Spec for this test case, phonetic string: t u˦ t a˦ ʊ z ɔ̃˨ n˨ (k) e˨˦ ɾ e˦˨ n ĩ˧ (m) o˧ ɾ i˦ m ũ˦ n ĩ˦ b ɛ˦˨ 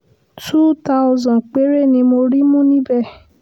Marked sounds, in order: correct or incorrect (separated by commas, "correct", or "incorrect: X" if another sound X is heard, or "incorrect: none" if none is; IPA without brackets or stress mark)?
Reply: incorrect: k͡p, correct